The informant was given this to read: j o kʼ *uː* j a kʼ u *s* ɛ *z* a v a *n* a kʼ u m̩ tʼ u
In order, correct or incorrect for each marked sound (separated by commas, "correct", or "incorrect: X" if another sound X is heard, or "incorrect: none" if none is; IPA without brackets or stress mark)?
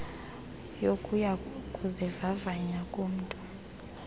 incorrect: u, incorrect: z, incorrect: v, incorrect: ɲ